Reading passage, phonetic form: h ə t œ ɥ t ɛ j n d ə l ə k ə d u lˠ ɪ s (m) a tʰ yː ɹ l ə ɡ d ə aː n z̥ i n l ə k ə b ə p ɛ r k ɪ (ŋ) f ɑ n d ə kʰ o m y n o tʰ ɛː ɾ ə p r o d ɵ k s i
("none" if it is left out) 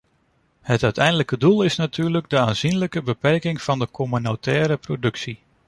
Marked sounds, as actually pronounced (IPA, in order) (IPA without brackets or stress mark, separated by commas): n, ŋ